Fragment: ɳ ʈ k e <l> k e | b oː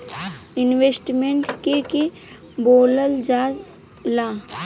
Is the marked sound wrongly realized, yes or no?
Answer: yes